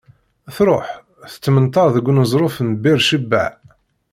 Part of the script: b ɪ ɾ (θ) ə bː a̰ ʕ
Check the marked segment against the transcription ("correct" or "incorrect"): incorrect